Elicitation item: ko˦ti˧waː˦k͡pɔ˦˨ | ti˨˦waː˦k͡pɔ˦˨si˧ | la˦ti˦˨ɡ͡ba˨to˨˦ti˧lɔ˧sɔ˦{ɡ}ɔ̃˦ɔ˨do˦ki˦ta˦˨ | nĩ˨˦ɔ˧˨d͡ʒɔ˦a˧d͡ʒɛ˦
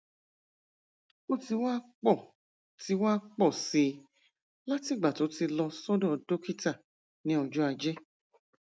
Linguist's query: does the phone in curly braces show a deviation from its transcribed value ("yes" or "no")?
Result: yes